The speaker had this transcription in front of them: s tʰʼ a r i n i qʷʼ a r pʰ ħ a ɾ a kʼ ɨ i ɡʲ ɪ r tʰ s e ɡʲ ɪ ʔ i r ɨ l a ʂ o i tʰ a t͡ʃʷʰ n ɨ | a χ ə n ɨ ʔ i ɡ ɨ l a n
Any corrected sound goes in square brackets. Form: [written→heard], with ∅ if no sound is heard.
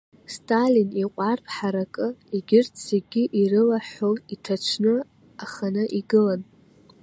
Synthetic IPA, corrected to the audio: s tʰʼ a [r→l] i n i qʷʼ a r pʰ ħ a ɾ a kʼ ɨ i ɡʲ ɪ r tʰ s e ɡʲ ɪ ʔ i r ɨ l a [ʂ→ħ] o i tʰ a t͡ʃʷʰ n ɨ | a χ [ə→a] n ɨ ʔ i ɡ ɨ l a n